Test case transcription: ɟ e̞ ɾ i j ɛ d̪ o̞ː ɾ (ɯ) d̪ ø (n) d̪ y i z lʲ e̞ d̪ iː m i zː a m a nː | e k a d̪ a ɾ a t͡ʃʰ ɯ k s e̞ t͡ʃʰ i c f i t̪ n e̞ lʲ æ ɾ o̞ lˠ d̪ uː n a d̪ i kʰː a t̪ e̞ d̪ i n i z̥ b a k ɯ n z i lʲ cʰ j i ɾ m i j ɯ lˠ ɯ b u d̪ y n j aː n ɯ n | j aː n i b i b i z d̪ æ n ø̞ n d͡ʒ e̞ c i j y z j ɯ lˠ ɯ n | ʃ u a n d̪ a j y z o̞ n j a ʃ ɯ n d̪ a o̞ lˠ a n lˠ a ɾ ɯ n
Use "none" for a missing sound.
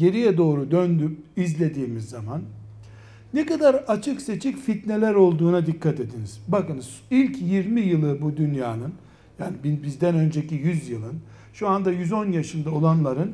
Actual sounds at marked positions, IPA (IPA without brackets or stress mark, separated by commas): u, n